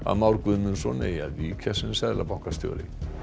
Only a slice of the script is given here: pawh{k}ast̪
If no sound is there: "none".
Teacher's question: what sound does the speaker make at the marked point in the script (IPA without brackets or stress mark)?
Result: k